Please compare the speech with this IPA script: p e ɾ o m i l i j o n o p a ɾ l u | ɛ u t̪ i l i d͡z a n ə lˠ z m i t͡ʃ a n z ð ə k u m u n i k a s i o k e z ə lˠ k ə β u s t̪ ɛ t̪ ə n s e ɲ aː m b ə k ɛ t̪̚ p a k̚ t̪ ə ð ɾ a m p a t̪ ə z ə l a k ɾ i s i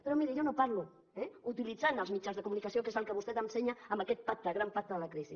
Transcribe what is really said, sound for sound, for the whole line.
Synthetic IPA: p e ɾ o m i ɾ i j o n o p a ɾ l u | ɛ u t̪ i l i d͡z a n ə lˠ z m i t͡ʃ a n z ð ə k u m u n i k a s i o k e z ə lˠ k ə β u s t̪ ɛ t̪ ə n s e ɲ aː m b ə k ɛ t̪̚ p a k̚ t̪ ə ɣ ɾ a m p a t̪ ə ð ə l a k ɾ i s i